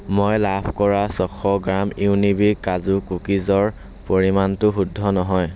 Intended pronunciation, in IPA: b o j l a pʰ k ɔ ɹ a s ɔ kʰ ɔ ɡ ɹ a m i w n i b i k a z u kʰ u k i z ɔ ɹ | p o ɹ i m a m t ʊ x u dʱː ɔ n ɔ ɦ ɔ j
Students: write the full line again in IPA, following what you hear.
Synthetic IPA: m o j l a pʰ k ɔ ɹ a s ɔ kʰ ɔ ɡ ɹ a m i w n i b i k a z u k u k i z ɔ ɹ | p o ɹ i m a n t ʊ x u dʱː ɔ n ɔ ɦ ɔ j